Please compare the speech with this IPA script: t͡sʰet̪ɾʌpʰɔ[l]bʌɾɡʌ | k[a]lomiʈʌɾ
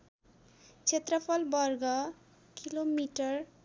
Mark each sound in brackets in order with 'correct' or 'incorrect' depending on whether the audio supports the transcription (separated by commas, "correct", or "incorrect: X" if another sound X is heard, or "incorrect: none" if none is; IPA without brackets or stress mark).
correct, incorrect: i